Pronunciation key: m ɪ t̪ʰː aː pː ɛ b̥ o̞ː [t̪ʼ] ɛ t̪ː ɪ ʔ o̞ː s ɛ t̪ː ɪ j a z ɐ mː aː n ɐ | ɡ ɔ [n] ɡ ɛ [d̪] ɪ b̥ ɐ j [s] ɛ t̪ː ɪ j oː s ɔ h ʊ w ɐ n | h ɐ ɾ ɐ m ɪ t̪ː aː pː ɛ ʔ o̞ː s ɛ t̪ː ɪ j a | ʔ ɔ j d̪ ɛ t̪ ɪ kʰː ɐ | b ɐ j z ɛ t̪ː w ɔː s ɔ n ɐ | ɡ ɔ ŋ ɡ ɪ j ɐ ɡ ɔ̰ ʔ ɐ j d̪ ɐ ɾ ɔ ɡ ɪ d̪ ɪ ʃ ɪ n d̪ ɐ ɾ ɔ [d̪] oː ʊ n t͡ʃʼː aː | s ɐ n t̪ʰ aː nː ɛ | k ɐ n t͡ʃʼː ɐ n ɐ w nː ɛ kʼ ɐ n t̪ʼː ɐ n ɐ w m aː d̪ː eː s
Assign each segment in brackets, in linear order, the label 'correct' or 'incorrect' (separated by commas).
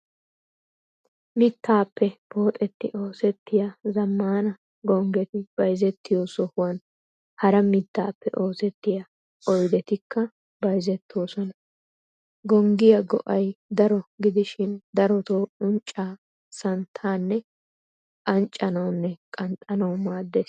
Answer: correct, incorrect, incorrect, incorrect, incorrect